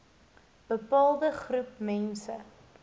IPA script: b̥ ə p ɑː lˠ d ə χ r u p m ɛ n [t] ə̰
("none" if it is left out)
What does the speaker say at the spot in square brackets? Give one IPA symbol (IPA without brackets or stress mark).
s